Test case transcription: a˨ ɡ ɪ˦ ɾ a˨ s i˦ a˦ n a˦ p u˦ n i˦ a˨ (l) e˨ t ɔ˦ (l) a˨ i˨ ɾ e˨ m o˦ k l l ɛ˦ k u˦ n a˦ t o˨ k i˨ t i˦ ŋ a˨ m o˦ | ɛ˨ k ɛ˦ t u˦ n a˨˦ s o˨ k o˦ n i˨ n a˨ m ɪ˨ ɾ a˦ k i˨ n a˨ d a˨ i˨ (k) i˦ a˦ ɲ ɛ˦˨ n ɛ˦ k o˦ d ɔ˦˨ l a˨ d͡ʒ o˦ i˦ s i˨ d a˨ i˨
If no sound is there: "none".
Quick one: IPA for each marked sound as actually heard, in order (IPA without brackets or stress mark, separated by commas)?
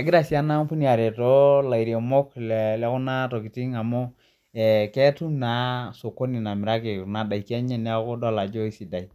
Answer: ɾ, l, k